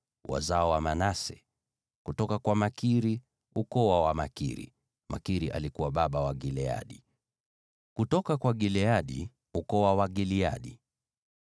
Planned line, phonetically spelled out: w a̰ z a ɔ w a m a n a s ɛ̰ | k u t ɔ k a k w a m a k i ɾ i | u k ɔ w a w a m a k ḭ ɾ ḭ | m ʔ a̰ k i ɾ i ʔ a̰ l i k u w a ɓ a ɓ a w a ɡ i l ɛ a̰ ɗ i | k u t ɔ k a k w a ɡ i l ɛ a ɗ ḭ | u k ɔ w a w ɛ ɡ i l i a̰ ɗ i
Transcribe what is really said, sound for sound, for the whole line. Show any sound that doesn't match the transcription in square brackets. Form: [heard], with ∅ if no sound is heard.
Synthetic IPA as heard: w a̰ z a ɔ w a m a n a s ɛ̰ | k u t ɔ k a k w a m a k i ɾ i | u k ɔ w a w a m a k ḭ ɾ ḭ | m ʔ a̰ k i ɾ i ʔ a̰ l i k u w a ɓ a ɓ a w a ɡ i l ɛ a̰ ɗ i | k u t ɔ k a k w a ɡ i l ɛ a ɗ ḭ | u k ɔ w a w [a] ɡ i l i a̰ ɗ i